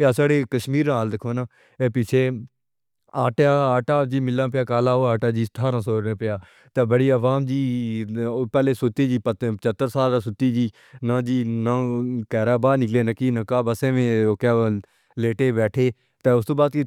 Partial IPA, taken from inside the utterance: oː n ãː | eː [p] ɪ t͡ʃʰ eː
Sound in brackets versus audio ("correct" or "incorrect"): correct